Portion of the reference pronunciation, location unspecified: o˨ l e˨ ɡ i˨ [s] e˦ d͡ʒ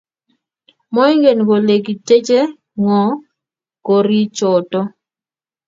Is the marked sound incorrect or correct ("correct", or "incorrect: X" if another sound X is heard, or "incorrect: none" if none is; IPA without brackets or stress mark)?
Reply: incorrect: t